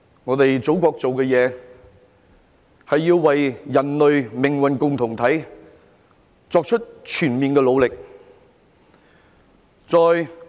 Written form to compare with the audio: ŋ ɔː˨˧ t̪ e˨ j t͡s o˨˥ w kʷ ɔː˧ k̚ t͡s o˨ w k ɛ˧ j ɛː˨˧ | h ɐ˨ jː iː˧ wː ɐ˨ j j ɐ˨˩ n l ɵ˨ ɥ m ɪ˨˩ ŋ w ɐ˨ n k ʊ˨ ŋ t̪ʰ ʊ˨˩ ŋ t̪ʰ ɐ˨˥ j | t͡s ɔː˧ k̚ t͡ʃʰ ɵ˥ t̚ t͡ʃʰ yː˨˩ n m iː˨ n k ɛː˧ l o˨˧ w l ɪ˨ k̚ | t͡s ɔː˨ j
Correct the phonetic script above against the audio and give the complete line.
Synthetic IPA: ŋ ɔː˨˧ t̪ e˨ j t͡s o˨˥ w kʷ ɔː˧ k̚ t͡s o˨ w k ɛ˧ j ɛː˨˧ | h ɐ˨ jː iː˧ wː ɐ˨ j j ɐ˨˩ n l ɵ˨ ɥ m ɪ˨˩ ŋ w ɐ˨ n k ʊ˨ ŋ t̪ʰ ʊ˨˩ ŋ t̪ʰ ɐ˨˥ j | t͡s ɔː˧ k̚ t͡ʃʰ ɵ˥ t̚ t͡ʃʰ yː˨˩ n m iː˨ n k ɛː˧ l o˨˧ w l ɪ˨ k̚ | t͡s ɔː˨ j

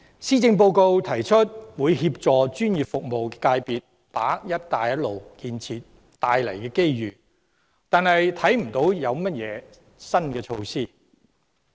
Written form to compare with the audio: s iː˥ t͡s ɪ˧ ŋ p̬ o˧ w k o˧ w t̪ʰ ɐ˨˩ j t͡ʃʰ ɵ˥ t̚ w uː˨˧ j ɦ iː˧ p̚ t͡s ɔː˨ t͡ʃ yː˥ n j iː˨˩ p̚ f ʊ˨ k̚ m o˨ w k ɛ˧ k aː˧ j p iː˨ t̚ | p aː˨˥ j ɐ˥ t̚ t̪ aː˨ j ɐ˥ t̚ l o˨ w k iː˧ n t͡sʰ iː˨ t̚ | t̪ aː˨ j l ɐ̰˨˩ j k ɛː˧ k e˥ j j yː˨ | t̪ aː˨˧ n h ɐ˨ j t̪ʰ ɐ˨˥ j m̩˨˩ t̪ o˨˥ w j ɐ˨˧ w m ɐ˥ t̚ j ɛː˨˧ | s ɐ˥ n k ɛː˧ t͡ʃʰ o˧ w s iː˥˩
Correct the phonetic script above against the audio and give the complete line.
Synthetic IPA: s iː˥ t͡s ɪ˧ ŋ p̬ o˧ w k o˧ w t̪ʰ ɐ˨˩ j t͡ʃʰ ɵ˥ t̚ w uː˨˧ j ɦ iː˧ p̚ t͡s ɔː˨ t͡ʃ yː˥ n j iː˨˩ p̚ f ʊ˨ k̚ m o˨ w k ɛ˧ k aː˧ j p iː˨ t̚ | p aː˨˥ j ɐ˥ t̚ t̪ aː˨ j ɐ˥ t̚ l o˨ w k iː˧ n t͡sʰ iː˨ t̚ | t̪ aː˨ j l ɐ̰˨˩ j k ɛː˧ k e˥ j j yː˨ | t̪ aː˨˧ n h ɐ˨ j t̪ʰ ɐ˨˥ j m̩˨˩ t̪ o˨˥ w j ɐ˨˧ w m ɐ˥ t̚ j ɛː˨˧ | s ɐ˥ n k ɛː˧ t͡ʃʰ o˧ w s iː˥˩

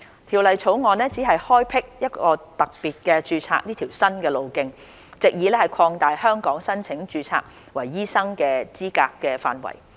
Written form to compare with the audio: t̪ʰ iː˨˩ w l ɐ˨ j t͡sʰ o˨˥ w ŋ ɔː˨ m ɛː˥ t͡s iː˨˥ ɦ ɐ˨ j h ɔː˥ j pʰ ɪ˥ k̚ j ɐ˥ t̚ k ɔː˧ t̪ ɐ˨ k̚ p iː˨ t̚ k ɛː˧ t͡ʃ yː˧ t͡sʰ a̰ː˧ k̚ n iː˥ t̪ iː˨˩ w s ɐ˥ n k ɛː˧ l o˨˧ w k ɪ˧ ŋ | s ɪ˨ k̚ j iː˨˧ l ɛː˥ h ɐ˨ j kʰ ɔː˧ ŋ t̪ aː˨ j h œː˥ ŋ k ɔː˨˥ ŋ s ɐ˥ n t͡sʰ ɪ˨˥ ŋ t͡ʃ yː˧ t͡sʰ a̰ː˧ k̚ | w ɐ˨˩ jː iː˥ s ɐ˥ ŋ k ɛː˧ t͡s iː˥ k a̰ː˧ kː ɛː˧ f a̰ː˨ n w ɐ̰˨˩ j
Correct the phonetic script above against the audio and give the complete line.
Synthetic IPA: t̪ʰ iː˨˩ w l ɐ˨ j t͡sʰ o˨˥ w ŋ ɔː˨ n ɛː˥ t͡s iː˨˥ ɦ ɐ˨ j h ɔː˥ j pʰ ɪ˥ k̚ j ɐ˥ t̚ k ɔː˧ t̪ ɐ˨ k̚ p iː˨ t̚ k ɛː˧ t͡ʃ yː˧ t͡sʰ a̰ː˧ k̚ n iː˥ t̪ʰ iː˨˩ w s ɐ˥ n k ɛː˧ l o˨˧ w k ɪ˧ ŋ | t͡s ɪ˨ k̚ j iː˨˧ l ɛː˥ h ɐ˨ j kʰ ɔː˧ ŋ t̪ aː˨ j h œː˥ ŋ k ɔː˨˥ ŋ s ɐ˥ n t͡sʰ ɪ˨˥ ŋ t͡ʃ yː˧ t͡sʰ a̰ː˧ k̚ | w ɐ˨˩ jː iː˥ s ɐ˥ ŋ k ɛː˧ t͡s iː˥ k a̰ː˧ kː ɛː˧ f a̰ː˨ n w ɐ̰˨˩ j

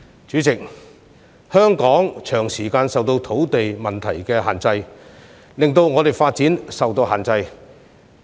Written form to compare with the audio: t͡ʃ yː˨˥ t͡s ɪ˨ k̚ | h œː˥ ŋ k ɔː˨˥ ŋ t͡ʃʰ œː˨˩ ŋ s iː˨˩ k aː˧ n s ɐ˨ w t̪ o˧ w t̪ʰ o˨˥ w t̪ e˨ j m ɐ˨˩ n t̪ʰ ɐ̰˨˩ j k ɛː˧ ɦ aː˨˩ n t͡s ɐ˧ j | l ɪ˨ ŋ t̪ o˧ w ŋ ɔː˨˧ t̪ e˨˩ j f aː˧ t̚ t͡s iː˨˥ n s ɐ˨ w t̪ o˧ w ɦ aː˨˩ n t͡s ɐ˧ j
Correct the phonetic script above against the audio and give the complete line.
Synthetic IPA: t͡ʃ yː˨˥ t͡s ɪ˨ k̚ | h œː˥ ŋ k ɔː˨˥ ŋ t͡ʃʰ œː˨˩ ŋ s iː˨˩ k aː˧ n s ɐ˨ w t̪ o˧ w t̪ʰ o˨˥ w t̪ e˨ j m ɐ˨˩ n t̪ʰ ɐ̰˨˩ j k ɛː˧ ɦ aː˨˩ n t͡s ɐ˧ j | l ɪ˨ ŋ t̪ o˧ w ŋ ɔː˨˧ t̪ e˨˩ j f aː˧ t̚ t͡s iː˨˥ n s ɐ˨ w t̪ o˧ w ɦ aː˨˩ n t͡s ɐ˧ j

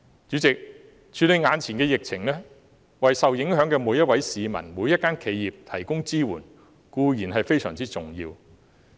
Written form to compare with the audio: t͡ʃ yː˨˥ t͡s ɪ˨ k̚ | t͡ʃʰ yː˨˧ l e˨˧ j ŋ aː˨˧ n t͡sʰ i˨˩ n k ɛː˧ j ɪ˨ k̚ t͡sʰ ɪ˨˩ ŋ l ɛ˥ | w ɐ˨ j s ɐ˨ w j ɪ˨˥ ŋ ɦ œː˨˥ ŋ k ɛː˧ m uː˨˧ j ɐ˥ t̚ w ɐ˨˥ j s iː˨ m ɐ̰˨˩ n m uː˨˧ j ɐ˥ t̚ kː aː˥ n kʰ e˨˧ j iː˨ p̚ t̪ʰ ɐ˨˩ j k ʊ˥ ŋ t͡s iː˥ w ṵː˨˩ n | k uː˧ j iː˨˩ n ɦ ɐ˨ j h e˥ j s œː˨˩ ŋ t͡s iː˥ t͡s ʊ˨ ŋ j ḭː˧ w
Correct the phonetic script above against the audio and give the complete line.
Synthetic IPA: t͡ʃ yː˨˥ t͡s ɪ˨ k̚ | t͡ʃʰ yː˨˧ l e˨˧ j ŋ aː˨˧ n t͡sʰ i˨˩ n k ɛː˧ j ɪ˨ k̚ t͡sʰ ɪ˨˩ ŋ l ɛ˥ | w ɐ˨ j s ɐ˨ w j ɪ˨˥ ŋ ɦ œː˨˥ ŋ k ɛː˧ m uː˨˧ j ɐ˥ t̚ w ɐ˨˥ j s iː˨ m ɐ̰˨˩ n m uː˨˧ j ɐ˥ t̚ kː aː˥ n kʰ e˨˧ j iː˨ p̚ t̪ʰ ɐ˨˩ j k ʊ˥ ŋ t͡s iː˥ w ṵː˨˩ n | k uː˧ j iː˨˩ n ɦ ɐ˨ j f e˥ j s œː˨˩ ŋ t͡s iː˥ t͡s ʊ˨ ŋ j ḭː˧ w

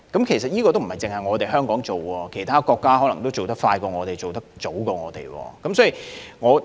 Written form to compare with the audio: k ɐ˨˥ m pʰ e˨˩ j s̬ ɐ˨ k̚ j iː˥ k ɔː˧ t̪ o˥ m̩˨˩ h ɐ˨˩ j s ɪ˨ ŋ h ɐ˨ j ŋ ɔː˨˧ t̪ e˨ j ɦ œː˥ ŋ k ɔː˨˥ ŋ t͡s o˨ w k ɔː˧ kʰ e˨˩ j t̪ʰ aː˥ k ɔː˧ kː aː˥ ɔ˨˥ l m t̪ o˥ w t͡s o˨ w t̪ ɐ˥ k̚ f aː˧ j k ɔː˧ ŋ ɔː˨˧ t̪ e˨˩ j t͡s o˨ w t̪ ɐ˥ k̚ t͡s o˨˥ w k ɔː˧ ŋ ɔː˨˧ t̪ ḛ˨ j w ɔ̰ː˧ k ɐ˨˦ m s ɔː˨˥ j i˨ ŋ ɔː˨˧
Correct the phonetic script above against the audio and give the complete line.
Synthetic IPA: k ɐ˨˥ m kʰ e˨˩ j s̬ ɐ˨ t̚ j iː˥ k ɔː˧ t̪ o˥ m̩˨˩ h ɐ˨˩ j t͡s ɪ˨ ŋ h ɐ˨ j ŋ ɔː˨˧ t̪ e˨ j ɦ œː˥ ŋ k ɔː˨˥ ŋ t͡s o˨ w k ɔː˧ kʰ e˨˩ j t̪ʰ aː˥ k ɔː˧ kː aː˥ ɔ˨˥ l ŋ t̪ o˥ w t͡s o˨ w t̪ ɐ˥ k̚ f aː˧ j k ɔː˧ ŋ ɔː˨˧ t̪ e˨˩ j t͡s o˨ w t̪ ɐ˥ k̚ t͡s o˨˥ w k ɔː˧ ŋ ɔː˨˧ t̪ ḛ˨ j w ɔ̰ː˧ k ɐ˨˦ m s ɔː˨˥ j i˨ ŋ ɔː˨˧

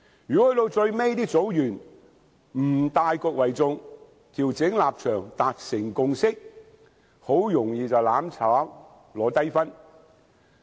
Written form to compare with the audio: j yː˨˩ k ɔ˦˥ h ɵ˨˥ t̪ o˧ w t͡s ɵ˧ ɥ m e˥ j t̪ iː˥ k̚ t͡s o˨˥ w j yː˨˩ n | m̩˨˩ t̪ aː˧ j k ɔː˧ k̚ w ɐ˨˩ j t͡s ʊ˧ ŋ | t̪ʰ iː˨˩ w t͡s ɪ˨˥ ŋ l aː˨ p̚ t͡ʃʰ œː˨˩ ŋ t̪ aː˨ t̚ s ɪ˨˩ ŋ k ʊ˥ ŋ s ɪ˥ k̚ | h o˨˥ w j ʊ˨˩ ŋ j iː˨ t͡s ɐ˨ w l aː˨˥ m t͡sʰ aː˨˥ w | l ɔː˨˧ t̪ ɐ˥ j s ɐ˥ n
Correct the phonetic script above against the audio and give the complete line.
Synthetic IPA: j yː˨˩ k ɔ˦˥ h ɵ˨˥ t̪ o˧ w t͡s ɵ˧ ɥ m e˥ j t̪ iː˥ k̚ t͡s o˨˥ w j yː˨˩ n | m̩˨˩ t̪ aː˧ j k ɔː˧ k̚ w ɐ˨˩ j t͡s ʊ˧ ŋ | t̪ʰ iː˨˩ w t͡s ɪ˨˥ ŋ l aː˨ p̚ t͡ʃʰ œː˨˩ ŋ t̪ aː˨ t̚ s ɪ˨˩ ŋ k ʊ˧ ŋ s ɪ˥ k̚ | h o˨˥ w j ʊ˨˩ ŋ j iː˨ t͡s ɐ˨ w l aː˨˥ m t͡sʰ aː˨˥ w | l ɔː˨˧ t̪ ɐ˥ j f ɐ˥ n

